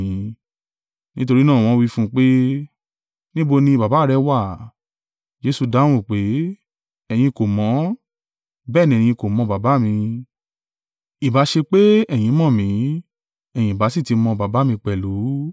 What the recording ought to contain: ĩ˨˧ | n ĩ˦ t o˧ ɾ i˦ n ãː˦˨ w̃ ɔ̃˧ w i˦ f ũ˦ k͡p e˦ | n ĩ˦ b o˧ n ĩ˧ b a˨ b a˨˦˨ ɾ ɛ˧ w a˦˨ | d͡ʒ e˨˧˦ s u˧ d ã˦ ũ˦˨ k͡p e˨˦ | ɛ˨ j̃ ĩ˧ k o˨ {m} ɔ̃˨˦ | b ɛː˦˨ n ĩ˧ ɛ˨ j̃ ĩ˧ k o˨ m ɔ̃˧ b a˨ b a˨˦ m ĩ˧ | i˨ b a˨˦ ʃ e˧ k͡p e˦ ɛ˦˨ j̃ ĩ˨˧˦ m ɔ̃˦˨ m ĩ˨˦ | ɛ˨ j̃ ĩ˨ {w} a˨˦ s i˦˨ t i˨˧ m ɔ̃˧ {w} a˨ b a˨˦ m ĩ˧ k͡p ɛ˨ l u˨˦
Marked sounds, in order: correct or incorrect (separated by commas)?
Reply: correct, incorrect, incorrect